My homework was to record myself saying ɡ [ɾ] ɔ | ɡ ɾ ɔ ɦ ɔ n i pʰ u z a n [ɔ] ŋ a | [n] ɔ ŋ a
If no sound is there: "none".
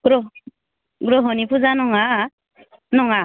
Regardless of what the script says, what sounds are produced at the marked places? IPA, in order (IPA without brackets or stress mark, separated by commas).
ɾ, ɔ, n